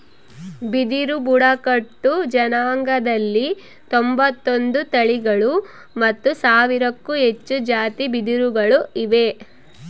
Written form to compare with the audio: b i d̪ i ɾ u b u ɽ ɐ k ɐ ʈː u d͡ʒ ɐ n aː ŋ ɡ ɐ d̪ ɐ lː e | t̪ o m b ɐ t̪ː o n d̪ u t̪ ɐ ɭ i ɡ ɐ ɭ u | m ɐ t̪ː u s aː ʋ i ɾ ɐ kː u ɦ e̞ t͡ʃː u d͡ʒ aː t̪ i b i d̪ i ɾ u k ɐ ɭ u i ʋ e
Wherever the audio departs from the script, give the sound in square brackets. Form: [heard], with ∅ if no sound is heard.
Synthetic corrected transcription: b i d̪ i ɾ u b u ɽ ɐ k ɐ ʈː u d͡ʒ ɐ n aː ŋ ɡ ɐ d̪ ɐ lː [i] | t̪ o m b ɐ t̪ː o n d̪ u t̪ ɐ ɭ i ɡ ɐ ɭ u | m ɐ t̪ː u s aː ʋ i ɾ ɐ kː u ɦ e̞ t͡ʃː u d͡ʒ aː t̪ i b i d̪ i ɾ u [ɡ] ɐ ɭ u i ʋ e

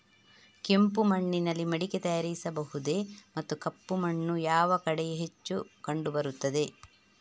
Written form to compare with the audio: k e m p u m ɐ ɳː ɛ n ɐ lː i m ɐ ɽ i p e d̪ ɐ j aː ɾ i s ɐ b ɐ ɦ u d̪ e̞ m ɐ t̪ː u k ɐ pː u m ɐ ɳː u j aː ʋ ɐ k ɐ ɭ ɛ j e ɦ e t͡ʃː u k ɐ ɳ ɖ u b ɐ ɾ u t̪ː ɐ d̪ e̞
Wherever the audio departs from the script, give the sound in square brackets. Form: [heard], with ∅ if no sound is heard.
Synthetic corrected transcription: k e m p u m ɐ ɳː [i] n ɐ lː i m ɐ ɽ i [k] e [t̪] ɐ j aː ɾ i s ɐ b ɐ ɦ u d̪ e̞ m ɐ t̪ː u k ɐ pː u m ɐ ɳː u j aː ʋ ɐ k ɐ [ɽ] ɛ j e ɦ e t͡ʃː u k ɐ ɳ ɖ u b ɐ ɾ u t̪ː ɐ d̪ e̞

